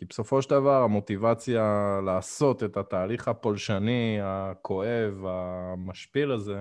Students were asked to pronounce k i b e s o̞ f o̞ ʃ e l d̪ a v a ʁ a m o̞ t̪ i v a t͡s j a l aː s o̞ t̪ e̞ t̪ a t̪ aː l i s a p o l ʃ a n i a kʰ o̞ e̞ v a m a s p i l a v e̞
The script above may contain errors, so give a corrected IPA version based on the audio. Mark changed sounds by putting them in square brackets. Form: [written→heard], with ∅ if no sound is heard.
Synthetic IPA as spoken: k i b e s o̞ f o̞ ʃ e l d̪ a v a ʁ a m o̞ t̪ i v a t͡s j a l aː s o̞ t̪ e̞ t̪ a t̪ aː l i [s→χ] a p o l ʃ a n i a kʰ o̞ e̞ v a m a [s→ʃ] p i l a [v→z] e̞